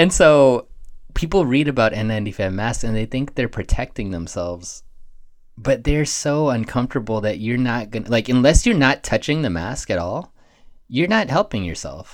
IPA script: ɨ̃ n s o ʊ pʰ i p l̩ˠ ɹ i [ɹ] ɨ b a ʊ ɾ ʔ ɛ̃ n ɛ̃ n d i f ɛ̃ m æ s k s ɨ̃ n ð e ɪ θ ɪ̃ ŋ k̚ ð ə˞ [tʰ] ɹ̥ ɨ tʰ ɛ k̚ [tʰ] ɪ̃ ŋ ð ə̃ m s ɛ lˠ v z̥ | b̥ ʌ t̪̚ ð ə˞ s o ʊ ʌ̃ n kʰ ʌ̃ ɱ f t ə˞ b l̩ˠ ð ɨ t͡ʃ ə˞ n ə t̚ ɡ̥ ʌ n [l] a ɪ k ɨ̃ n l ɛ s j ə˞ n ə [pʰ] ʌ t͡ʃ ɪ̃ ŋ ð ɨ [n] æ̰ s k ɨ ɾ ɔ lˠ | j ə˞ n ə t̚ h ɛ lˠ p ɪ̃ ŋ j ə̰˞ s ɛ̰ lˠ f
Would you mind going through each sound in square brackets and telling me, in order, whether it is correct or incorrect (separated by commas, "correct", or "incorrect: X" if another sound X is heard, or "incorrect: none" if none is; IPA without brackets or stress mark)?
incorrect: ɾ, incorrect: pʰ, incorrect: t, correct, incorrect: tʰ, incorrect: m